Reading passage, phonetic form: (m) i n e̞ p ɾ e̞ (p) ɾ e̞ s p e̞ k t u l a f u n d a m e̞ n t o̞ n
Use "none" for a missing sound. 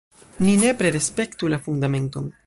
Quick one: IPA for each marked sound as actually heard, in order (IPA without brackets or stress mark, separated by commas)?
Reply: n, none